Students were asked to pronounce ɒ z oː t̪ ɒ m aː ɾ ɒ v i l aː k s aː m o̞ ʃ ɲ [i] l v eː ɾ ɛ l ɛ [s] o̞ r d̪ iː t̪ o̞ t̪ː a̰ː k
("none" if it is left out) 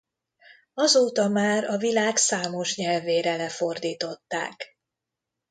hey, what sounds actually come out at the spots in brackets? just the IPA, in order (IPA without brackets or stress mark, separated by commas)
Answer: ɛ, f